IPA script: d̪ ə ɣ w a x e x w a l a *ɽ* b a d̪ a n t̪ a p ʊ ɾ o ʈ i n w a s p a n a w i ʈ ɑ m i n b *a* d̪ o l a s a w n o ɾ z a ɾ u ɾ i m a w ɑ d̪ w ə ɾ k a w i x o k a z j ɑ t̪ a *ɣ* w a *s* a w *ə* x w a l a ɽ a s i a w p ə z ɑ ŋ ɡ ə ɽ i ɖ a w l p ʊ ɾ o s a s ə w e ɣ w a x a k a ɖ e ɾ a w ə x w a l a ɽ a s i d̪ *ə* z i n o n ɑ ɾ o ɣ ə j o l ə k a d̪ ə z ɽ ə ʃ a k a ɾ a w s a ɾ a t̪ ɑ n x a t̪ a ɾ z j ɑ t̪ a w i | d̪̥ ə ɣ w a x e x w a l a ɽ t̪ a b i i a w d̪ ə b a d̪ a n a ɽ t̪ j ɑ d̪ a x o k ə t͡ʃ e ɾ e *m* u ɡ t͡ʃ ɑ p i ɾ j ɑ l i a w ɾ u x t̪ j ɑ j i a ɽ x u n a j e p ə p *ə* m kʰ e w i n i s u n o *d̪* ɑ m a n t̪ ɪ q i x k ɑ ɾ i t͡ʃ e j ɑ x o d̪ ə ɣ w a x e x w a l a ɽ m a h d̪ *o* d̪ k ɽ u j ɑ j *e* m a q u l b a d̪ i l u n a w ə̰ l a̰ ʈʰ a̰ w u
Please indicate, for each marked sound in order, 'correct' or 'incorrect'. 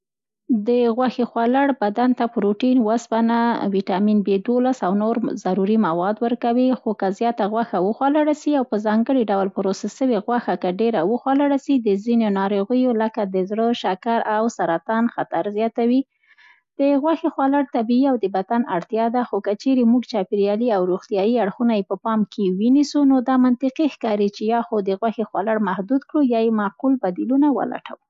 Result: correct, incorrect: e, correct, incorrect: x, correct, correct, correct, incorrect: ɑ, correct, incorrect: u, correct

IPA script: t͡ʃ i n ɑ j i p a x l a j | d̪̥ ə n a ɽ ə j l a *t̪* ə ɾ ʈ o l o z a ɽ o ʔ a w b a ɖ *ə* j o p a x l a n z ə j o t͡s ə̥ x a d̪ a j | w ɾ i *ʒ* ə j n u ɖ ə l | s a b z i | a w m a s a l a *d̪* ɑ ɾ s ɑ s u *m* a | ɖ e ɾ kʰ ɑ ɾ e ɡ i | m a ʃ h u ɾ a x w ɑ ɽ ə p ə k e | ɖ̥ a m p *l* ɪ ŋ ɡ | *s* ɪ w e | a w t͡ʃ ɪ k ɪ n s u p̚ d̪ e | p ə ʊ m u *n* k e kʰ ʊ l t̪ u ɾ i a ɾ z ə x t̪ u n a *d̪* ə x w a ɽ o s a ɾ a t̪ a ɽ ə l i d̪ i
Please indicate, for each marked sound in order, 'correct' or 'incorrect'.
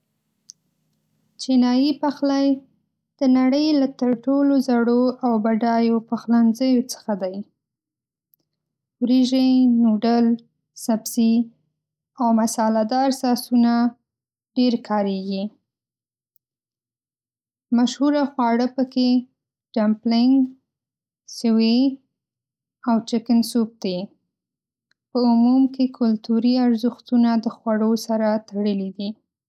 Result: correct, incorrect: ɑ, correct, correct, incorrect: n, correct, correct, incorrect: m, correct

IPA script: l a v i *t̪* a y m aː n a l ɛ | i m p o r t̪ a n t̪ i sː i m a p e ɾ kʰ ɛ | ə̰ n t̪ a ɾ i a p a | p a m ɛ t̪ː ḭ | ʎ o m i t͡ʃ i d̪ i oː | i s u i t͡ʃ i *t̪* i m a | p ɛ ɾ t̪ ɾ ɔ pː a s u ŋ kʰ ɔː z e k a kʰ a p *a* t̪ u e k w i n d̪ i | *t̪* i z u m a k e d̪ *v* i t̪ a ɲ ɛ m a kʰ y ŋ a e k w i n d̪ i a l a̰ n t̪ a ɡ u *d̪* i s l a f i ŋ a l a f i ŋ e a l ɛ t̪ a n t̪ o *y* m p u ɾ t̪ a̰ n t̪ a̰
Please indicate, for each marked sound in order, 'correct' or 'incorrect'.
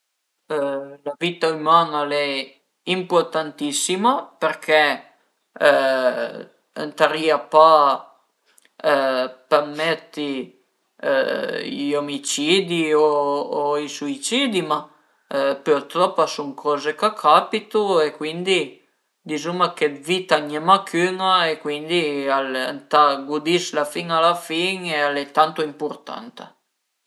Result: correct, incorrect: d̪, incorrect: i, incorrect: d̪, correct, correct, incorrect: i

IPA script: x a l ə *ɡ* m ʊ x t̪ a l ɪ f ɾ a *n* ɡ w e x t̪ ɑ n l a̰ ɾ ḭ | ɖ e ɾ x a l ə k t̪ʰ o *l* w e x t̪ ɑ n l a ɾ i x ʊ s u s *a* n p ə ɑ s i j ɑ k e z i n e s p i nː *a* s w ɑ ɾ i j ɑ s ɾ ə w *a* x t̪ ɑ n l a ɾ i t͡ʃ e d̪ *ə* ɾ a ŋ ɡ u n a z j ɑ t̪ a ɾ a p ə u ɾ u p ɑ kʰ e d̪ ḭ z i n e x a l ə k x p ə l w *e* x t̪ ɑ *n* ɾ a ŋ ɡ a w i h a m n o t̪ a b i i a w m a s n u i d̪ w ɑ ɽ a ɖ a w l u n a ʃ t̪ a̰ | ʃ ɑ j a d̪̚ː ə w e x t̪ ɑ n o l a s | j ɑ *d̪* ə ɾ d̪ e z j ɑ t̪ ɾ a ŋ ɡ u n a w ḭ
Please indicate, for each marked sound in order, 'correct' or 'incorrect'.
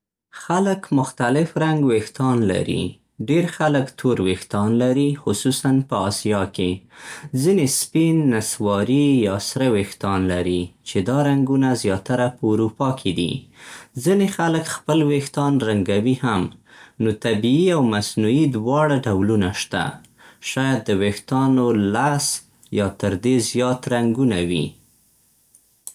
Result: incorrect: k, incorrect: ŋ, incorrect: ɾ, correct, correct, incorrect: e, incorrect: ɑ, correct, correct, incorrect: t̪

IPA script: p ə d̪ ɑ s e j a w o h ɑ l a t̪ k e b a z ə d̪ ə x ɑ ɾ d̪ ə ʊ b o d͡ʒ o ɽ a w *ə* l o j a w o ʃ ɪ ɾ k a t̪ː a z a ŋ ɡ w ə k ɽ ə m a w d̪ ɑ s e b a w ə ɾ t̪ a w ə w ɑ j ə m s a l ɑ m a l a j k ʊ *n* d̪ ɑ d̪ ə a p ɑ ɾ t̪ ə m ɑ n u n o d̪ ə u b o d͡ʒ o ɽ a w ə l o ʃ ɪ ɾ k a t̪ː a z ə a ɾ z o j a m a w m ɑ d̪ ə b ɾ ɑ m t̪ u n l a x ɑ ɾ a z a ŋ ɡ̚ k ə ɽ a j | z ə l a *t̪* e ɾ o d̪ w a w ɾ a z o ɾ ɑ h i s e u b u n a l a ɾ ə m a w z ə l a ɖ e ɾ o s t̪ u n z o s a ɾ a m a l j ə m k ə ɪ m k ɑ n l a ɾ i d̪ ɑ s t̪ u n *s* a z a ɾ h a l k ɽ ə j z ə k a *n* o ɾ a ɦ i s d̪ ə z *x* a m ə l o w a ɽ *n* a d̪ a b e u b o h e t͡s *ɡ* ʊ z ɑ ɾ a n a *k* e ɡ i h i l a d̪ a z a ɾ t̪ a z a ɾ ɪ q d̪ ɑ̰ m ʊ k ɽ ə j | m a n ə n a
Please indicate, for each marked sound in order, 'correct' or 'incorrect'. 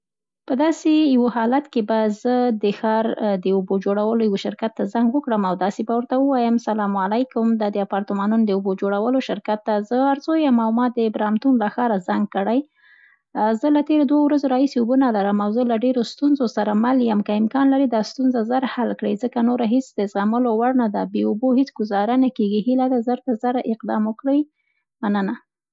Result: correct, incorrect: m, correct, incorrect: z, correct, incorrect: ɣ, correct, correct, correct

